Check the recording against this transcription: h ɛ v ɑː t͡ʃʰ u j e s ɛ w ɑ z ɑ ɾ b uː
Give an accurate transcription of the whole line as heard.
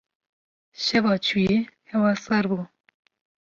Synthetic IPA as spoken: ʃ ɛ v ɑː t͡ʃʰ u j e h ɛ w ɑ s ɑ ɾ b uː